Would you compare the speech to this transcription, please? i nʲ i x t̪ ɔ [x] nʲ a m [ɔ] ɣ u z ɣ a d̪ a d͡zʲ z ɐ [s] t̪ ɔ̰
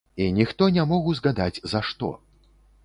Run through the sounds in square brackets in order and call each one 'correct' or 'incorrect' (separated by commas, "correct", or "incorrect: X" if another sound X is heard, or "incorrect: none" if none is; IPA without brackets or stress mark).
incorrect: none, correct, incorrect: ʂ